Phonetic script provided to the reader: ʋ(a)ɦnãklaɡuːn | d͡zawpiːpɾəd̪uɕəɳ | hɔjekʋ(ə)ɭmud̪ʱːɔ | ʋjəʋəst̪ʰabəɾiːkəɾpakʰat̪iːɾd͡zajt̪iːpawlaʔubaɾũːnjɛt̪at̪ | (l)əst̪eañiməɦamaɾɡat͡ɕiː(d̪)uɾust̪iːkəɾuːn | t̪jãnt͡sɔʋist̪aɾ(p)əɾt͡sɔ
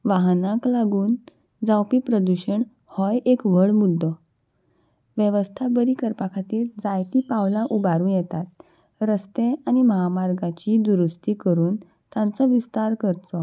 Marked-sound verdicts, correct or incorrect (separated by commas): correct, correct, incorrect, correct, incorrect